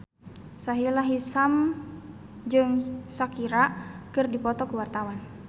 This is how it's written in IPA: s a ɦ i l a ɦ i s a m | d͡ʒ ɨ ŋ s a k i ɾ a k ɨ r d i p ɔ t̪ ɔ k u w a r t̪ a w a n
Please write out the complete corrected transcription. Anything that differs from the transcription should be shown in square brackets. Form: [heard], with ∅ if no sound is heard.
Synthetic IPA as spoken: s a ɦ i l a ɦ i s a m | d͡ʒ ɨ ŋ s a k i ɾ a k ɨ r d i p ɔ t̪ ɔ k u w a r t̪ a w a n